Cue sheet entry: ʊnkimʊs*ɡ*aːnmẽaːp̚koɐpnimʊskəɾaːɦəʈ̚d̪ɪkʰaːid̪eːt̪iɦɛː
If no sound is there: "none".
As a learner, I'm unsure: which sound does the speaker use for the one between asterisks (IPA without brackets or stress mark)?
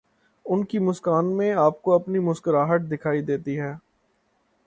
k